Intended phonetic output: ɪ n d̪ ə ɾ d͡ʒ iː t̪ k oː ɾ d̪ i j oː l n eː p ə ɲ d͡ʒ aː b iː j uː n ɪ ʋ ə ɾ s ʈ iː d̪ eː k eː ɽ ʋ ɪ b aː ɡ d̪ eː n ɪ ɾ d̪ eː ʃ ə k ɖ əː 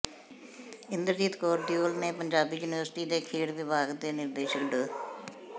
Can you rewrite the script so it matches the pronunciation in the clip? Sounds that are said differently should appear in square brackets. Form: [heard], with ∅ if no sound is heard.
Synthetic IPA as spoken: ɪ n d̪ ə ɾ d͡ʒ iː t̪ k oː ɾ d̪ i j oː l n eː p ə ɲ d͡ʒ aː b iː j uː n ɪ ʋ ə ɾ s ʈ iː d̪ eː [kʰ] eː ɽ ʋ ɪ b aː ɡ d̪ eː n ɪ ɾ d̪ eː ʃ ə k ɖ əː